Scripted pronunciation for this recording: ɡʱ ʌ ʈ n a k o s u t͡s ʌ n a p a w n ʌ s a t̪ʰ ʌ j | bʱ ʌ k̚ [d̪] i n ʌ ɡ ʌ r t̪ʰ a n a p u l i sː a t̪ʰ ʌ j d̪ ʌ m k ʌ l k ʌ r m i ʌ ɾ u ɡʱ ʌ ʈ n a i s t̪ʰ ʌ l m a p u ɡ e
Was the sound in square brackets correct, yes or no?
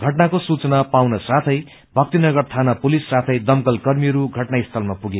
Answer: no